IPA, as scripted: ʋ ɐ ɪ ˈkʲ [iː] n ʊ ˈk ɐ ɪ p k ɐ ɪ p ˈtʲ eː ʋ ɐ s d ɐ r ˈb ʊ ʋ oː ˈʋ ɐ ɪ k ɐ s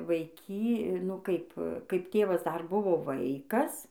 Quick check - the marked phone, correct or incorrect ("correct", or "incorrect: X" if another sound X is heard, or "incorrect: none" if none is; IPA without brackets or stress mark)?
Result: correct